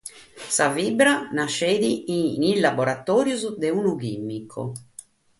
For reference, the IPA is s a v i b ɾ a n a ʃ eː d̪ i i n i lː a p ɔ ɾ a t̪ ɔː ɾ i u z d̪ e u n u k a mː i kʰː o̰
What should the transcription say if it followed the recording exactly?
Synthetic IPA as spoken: s a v i b ɾ a n a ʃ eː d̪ i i n i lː a b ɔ ɾ a t̪ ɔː ɾ j u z d̪ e u n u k i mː i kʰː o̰